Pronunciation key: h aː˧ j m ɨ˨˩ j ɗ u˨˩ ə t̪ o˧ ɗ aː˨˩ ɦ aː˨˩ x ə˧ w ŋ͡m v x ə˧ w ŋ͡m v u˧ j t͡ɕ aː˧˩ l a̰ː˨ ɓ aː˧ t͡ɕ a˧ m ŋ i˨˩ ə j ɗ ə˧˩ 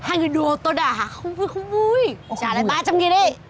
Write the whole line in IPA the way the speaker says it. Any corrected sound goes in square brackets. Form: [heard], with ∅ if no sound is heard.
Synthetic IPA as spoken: h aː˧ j [ŋ] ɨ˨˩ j ɗ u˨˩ ə t̪ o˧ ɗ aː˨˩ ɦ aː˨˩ x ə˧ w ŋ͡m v x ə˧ w ŋ͡m v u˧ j t͡ɕ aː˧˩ l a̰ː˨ ɓ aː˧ t͡ɕ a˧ m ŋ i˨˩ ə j ɗ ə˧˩